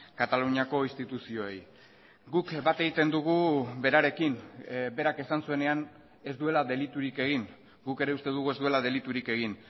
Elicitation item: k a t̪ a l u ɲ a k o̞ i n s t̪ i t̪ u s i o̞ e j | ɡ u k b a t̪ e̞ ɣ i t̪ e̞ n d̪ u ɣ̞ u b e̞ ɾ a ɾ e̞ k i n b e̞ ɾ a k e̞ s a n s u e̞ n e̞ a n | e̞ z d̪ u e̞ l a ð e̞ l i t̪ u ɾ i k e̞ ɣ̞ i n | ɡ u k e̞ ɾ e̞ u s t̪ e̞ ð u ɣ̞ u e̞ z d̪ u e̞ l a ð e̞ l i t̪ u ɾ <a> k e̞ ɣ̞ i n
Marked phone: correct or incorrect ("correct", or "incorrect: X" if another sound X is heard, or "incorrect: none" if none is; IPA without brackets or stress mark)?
incorrect: i